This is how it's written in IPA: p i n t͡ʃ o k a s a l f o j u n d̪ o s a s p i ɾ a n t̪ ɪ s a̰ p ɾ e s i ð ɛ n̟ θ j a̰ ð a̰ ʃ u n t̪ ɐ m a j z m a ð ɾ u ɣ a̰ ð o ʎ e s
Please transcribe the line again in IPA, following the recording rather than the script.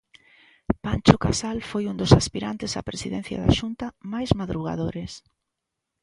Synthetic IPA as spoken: p a n t͡ʃ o k a s a l f o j u n d̪ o s a s p i ɾ a n t̪ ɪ s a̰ p ɾ e s i ð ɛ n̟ θ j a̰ ð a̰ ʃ u n t̪ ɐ m a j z m a ð ɾ u ɣ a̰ ð o ɾ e s